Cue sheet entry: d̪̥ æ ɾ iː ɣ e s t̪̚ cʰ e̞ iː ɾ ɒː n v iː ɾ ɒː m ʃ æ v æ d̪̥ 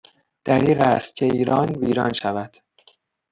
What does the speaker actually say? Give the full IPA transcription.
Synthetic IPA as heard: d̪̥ æ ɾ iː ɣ æ s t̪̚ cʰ e̞ iː ɾ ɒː n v iː ɾ ɒː n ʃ æ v æ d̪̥